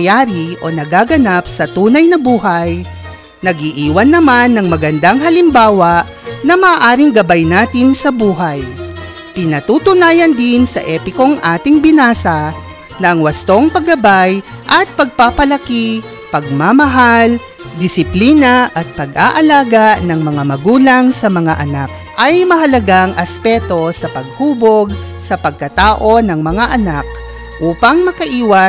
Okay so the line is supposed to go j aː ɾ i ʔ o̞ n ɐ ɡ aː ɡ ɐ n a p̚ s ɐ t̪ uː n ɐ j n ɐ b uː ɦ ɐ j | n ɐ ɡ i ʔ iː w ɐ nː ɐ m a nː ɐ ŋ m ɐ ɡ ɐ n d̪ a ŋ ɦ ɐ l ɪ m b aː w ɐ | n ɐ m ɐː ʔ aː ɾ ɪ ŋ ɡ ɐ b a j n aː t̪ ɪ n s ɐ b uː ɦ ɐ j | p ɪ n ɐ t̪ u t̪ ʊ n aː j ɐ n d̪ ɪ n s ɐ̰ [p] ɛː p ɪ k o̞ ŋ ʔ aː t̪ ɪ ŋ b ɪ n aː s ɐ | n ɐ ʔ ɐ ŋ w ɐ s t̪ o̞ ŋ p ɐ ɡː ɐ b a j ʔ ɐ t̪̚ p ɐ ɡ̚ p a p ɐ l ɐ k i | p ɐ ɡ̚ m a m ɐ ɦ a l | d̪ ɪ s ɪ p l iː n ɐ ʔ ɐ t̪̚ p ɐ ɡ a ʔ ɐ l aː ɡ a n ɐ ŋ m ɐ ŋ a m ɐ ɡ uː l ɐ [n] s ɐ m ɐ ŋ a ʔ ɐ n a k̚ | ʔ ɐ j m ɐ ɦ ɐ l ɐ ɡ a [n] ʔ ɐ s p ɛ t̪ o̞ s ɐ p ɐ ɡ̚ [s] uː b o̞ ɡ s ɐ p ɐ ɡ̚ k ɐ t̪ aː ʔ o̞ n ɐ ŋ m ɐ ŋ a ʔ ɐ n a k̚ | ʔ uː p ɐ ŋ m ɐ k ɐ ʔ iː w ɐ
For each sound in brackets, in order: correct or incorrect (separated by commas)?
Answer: incorrect, incorrect, incorrect, incorrect